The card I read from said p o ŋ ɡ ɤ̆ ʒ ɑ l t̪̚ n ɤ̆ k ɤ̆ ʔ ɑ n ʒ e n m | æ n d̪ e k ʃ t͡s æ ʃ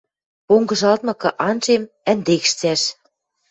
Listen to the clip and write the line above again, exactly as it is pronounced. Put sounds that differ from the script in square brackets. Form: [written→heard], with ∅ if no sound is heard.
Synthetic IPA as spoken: p o ŋ ɡ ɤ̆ ʒ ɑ l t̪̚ [n→m] ɤ̆ k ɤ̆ ʔ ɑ n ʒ e [n→∅] m | æ n d̪ e k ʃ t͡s æ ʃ